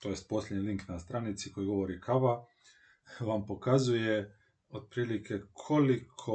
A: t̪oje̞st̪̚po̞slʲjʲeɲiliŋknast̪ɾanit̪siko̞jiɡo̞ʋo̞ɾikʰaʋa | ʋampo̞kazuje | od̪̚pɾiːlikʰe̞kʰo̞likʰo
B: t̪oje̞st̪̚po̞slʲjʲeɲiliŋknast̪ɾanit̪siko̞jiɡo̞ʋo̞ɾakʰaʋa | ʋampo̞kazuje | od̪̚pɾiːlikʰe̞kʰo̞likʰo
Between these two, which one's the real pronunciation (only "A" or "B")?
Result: A